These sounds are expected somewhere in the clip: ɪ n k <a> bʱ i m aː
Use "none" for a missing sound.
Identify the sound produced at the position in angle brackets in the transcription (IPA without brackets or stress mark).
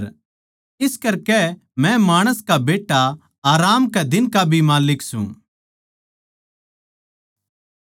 a